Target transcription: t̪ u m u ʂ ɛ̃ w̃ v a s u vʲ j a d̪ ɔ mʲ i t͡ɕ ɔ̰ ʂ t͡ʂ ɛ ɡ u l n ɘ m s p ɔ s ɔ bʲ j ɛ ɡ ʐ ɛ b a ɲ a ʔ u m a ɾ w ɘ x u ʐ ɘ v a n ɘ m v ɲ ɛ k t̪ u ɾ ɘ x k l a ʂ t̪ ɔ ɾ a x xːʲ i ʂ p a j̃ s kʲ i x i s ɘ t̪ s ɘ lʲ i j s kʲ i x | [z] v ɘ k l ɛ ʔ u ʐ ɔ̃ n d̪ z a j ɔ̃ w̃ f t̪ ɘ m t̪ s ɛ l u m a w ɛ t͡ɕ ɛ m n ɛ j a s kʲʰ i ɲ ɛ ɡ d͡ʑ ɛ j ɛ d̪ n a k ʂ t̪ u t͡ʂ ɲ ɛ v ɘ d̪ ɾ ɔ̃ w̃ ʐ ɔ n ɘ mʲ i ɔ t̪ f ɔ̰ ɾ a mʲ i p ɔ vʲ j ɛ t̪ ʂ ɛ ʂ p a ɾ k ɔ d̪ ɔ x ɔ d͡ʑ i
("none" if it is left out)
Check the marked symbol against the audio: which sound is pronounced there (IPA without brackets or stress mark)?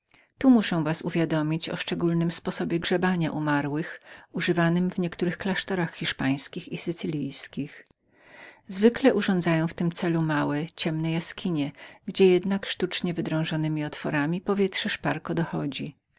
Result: z